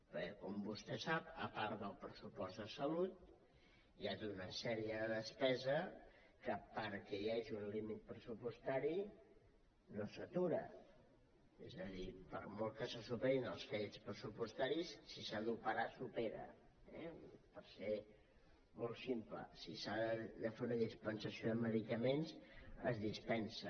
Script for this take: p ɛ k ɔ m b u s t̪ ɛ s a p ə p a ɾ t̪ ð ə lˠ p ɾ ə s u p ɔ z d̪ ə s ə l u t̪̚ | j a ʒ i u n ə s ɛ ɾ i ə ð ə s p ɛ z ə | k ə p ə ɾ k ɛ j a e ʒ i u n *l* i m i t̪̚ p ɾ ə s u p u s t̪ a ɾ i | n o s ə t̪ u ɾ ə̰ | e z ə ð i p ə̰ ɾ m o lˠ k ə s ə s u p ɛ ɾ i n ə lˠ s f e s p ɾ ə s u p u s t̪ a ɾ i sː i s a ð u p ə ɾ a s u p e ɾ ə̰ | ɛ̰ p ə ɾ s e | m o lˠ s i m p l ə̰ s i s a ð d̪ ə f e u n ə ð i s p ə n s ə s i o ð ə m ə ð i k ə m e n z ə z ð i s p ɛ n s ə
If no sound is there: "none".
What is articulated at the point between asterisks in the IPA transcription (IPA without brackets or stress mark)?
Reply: l